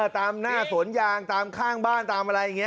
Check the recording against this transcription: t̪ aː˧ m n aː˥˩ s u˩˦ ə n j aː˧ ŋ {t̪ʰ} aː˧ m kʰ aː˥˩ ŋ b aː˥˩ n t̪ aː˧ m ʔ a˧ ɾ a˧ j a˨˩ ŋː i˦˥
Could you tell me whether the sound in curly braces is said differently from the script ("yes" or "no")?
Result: yes